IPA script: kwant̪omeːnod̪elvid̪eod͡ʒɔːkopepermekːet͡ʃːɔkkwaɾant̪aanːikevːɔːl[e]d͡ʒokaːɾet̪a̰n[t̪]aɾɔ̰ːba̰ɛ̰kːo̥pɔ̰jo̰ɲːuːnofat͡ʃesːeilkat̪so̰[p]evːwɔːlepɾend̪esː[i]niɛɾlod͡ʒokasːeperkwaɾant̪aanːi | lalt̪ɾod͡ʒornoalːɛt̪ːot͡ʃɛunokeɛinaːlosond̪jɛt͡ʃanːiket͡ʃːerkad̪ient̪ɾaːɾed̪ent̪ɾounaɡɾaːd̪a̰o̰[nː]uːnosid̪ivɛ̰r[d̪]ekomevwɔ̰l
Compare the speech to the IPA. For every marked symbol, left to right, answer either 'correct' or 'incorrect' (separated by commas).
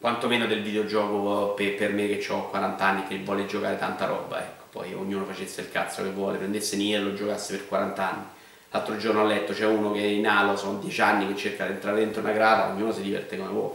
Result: correct, correct, incorrect, incorrect, incorrect, incorrect